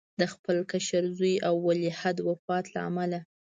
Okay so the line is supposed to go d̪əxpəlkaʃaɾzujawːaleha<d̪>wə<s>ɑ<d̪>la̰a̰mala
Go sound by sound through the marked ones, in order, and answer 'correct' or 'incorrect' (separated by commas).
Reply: correct, incorrect, incorrect